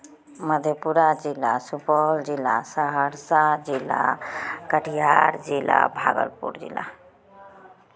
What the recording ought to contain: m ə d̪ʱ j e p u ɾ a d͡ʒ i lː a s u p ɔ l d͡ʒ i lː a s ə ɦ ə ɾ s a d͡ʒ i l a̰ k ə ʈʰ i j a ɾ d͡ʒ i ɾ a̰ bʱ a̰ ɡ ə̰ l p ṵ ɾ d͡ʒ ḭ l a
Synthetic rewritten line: m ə d̪ʱ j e p u ɾ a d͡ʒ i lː a s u p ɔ l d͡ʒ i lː a s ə ɦ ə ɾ s a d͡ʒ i l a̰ k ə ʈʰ i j a ɾ d͡ʒ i l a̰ bʱ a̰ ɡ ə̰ l p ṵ ɾ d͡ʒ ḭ l a